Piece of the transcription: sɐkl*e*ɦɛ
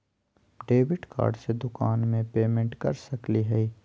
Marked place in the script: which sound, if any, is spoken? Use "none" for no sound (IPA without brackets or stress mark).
i